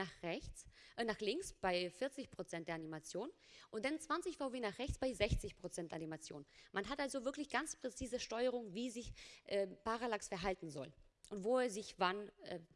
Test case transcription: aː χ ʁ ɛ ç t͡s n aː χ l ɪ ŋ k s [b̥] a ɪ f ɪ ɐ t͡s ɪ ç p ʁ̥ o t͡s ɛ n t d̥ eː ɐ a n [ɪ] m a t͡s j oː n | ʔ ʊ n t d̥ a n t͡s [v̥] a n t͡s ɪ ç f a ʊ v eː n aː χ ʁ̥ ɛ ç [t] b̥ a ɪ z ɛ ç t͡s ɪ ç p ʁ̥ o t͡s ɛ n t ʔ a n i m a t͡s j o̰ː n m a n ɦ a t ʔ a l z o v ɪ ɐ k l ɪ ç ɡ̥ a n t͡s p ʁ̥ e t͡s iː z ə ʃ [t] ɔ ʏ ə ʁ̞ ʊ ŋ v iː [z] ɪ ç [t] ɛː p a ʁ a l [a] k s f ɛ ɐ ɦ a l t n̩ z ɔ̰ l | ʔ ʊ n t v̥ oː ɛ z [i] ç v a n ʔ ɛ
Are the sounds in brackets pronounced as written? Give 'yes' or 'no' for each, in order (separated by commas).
yes, no, yes, no, yes, yes, no, yes, no